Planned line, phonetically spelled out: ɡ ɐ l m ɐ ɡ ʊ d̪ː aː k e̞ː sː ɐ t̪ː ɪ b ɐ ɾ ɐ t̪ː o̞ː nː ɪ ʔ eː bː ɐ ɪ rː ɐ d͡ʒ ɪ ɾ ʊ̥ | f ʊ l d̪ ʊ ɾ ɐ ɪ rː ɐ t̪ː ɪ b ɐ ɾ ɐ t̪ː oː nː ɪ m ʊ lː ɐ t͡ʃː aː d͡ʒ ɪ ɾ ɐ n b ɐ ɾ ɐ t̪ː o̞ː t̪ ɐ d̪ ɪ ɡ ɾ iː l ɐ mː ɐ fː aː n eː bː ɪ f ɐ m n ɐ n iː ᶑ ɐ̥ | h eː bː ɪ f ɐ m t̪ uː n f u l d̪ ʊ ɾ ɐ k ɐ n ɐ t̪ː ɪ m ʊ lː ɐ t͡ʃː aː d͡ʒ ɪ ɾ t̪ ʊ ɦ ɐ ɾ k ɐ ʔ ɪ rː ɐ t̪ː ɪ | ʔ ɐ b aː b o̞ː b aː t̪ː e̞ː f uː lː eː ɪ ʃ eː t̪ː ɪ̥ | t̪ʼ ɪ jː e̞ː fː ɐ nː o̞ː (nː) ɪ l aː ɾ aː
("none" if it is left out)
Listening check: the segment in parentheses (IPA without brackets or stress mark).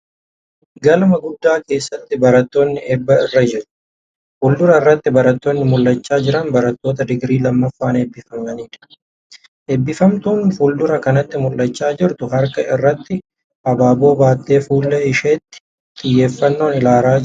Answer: n